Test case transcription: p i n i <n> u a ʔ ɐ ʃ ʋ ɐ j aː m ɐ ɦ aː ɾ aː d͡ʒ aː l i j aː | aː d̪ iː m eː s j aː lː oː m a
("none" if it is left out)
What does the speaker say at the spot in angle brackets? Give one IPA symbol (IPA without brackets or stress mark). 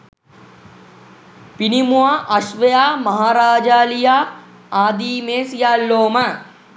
m